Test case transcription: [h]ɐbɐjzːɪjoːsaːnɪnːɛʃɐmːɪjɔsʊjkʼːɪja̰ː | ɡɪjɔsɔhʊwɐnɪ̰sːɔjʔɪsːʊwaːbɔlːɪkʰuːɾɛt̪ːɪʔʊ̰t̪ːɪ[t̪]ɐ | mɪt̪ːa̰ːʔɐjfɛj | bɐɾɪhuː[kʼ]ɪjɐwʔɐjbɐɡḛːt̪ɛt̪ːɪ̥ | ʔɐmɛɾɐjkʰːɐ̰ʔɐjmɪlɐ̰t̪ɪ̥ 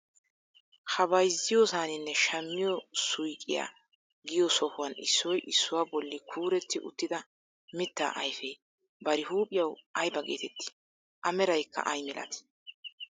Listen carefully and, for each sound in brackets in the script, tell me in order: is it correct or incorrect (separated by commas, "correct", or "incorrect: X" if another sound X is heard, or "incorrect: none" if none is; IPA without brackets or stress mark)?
correct, incorrect: d̪, incorrect: pʼ